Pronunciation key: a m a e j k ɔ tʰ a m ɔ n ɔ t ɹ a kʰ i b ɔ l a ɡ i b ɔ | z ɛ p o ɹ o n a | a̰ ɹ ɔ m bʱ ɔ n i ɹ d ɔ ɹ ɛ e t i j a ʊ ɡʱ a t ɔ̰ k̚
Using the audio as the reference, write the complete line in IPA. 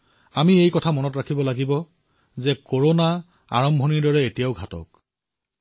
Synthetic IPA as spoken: a m i e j k ɔ tʰ a m ɔ n ɔ t ɹ a kʰ i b ɔ l a ɡ i b ɔ | z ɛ k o ɹ o n a | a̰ ɹ ɔ m bʱ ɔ n i ɹ d ɔ ɹ ɛ e t i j a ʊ ɡʱ a t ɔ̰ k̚